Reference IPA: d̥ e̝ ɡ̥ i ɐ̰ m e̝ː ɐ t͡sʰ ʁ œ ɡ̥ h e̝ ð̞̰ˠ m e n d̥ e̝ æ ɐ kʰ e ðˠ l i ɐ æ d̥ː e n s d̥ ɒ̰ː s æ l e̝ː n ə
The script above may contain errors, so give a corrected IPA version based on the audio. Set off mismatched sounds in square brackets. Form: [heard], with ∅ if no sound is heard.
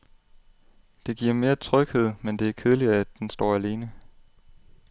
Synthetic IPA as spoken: d̥ e̝ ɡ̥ i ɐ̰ m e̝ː ɐ t͡sʰ ʁ œ ɡ̥ h e̝ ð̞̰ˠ m e n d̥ e̝ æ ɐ kʰ e ðˠ l i ɐ æ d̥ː e n s d̥ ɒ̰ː [∅] æ l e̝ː n ə